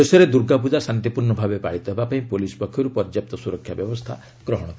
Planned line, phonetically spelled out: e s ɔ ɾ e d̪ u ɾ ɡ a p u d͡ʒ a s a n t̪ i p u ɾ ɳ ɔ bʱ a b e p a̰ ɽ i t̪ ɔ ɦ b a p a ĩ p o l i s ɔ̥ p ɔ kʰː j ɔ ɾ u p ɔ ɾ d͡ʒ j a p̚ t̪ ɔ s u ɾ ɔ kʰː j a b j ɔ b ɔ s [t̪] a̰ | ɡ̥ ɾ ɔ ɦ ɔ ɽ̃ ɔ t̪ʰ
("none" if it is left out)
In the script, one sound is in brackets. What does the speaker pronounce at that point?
t̪ʰ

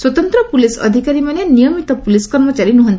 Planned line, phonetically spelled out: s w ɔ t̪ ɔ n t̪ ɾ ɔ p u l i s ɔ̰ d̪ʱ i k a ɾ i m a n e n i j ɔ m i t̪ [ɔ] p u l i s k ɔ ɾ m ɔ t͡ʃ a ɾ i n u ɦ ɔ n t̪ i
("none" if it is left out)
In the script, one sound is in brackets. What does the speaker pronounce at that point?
ɔ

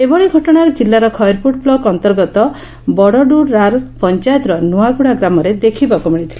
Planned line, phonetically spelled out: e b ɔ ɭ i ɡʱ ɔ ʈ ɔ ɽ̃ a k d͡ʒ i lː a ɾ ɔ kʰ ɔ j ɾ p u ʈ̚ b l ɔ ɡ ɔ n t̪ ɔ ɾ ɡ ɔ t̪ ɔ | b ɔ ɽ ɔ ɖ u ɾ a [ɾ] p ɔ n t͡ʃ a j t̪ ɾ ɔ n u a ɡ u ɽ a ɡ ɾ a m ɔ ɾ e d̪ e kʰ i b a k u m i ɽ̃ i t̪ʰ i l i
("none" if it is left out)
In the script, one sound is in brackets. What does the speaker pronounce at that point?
ɾ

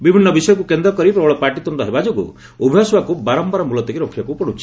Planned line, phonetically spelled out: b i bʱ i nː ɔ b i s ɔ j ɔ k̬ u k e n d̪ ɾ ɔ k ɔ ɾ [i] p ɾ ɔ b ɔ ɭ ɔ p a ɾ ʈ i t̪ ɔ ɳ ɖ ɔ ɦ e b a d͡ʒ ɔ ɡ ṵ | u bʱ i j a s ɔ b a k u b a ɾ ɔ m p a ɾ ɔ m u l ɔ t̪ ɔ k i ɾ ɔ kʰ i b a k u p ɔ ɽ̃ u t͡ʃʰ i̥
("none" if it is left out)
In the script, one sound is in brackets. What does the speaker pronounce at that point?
i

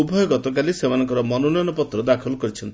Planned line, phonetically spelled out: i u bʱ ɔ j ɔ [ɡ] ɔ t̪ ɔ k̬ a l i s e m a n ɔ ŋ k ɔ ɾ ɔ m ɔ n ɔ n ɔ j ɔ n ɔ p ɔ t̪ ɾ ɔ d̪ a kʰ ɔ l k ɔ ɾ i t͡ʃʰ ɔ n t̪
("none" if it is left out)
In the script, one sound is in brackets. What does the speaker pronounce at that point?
ɡ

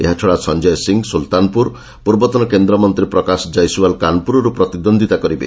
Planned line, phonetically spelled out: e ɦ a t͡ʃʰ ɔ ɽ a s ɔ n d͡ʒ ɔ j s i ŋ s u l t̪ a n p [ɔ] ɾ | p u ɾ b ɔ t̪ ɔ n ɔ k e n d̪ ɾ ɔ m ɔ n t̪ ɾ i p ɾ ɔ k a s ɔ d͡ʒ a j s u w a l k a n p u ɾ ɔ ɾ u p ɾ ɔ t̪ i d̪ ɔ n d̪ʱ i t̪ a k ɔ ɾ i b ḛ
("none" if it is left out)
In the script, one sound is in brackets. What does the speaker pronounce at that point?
u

